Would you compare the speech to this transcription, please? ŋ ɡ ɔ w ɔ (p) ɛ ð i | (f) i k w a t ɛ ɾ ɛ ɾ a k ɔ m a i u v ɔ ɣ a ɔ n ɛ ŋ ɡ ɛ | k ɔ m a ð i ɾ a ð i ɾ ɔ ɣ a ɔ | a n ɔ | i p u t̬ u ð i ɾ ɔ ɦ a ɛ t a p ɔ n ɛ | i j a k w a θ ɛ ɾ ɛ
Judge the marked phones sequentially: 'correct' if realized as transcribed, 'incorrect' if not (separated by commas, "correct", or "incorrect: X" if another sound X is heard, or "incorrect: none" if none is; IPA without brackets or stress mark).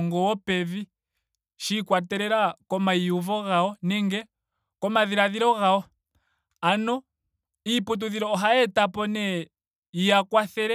correct, incorrect: ʃ